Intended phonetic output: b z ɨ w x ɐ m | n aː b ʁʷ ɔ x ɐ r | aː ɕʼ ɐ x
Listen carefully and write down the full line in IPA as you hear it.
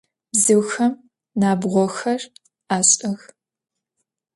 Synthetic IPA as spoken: b z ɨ w x ɐ m | n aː b ʁʷ ɔ x ɐ r | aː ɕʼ ɐ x